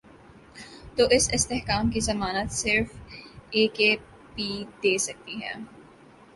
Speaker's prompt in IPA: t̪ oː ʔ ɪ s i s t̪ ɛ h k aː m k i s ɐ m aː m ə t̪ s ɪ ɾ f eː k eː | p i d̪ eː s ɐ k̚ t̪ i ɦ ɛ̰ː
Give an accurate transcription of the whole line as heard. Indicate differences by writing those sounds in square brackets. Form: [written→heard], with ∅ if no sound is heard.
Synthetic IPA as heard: t̪ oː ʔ ɪ s [i→ɪ] s t̪ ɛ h k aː m k i [s→z] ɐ m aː [m→n] ə t̪ s ɪ ɾ f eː k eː | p i d̪ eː s ɐ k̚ t̪ i ɦ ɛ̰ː